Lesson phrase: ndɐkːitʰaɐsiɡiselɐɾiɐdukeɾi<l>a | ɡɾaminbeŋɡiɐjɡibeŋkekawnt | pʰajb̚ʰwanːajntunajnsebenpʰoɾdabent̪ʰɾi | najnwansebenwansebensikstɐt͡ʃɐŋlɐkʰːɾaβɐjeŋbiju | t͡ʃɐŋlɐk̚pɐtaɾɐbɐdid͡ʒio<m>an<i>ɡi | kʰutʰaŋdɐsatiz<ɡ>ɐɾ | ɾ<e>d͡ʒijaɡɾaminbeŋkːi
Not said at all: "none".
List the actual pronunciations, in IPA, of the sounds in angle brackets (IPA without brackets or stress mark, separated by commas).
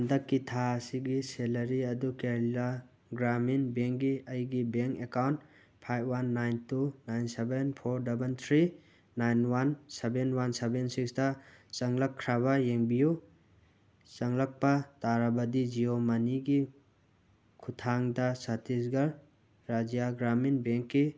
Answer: l, m, i, ɡ, a